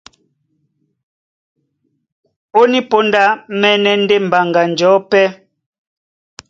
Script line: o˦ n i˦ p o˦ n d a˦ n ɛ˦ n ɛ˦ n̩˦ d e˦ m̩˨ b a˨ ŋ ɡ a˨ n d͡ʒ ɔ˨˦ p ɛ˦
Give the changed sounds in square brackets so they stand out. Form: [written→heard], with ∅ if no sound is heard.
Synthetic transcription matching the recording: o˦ n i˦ p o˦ n d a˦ [n→m] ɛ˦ n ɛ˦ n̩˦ d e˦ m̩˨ b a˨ ŋ ɡ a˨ n d͡ʒ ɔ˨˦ p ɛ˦

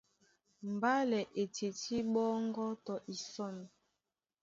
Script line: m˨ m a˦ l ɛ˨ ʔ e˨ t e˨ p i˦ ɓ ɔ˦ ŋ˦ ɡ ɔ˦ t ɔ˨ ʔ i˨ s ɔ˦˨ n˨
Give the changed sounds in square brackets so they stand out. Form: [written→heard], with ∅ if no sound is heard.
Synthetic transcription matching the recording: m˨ [m→b] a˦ l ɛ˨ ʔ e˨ t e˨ [p→t] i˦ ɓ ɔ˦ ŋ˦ ɡ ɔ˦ t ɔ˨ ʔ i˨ s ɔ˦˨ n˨

